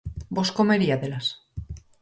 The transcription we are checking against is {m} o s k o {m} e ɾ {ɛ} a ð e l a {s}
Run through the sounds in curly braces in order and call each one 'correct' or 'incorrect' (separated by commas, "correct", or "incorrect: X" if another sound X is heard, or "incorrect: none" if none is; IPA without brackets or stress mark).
incorrect: b, correct, incorrect: i, correct